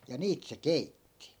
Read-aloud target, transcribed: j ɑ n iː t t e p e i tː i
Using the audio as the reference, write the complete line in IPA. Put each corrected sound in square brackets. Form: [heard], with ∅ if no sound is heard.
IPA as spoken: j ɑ n iː t [s] e [k] e i tː i